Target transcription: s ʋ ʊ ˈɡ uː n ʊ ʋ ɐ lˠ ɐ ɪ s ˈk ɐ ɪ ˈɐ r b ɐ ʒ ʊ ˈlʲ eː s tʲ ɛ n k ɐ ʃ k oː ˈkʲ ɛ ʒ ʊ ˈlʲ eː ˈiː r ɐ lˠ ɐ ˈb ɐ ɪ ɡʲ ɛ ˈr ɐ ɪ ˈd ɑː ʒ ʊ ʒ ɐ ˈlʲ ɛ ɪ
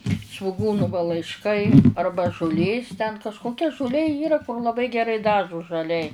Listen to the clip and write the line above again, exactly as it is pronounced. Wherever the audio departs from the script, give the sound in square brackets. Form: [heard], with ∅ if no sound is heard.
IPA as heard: s ʋ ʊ ˈɡ uː n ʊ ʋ ɐ lˠ ɐ ɪ [ʃ] ˈk ɐ ɪ ˈɐ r b ɐ ʒ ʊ ˈlʲ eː s tʲ ɛ n k ɐ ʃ k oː ˈkʲ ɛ ʒ ʊ ˈlʲ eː ˈiː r ɐ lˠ ɐ ˈb ɐ ɪ ɡʲ ɛ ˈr ɐ ɪ ˈd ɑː ʒ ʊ ʒ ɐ ˈlʲ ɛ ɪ